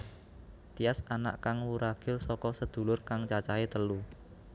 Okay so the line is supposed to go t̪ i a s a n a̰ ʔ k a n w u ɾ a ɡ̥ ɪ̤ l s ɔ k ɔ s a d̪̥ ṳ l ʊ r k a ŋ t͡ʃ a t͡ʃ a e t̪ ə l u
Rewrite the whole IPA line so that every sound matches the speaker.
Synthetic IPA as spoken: t̪ i a s a n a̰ ʔ k a ŋ w u ɾ a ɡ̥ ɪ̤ l s ɔ k ɔ s ə d̪̥ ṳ l ʊ r k a ŋ t͡ʃ a t͡ʃ a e t̪ ə l u